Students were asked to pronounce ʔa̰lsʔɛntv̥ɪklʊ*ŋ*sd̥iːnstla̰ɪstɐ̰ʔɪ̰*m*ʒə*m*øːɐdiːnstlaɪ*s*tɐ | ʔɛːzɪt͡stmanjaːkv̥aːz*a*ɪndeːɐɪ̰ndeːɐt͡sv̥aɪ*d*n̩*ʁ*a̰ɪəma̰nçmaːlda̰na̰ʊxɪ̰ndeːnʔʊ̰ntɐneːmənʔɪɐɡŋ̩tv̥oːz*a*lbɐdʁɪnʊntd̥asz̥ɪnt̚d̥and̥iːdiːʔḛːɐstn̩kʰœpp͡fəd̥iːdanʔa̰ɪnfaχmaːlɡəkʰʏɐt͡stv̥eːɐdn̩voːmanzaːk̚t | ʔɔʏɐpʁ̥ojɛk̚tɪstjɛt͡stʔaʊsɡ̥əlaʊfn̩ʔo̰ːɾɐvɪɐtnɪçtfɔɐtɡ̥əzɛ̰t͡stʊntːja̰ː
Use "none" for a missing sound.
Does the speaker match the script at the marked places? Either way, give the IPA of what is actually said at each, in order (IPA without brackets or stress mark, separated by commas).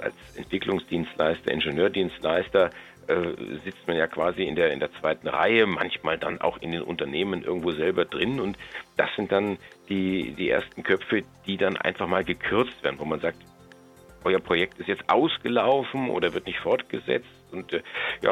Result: ŋ, n, n, s, i, t, ʁ, ɛ